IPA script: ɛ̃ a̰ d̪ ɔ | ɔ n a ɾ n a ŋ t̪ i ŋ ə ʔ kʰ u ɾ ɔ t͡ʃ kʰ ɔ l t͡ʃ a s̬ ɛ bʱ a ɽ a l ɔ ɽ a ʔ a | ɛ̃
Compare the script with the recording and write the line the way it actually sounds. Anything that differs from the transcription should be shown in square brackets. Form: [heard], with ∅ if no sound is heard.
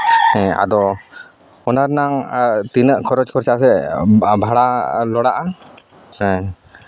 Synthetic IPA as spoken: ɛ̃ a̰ d̪ ɔ | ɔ n a ɾ n a ŋ t̪ i [n] ə ʔ kʰ [ɔ] ɾ ɔ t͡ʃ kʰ ɔ [ɾ] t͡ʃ a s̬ ɛ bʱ a ɽ a l ɔ ɽ a ʔ a | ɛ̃